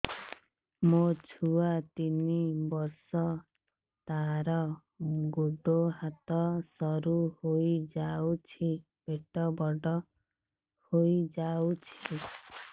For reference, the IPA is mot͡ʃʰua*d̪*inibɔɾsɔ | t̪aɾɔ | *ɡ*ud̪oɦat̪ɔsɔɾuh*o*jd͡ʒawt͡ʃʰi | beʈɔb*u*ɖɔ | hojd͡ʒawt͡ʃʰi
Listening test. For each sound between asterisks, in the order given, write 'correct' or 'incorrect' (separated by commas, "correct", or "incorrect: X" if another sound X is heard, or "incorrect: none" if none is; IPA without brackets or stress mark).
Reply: incorrect: t̪, correct, correct, incorrect: ɔ